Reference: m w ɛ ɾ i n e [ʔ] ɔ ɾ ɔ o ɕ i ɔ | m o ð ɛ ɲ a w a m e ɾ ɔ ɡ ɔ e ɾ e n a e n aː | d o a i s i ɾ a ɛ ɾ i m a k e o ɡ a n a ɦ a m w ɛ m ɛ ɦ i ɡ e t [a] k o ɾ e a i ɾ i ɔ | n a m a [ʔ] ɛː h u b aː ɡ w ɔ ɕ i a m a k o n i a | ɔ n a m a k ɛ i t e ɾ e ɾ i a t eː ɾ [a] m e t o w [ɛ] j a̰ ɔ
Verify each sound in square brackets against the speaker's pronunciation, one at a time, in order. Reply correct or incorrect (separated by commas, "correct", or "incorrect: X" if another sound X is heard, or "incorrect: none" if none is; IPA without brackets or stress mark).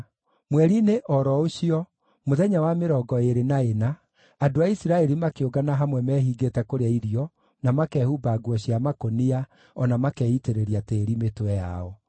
correct, incorrect: ɛ, incorrect: k, incorrect: i, correct